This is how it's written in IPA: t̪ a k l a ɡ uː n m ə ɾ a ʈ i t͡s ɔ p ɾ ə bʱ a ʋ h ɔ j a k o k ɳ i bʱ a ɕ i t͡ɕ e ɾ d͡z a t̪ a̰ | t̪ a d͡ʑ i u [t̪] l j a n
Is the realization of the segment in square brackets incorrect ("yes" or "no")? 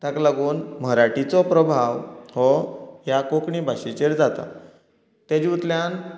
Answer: no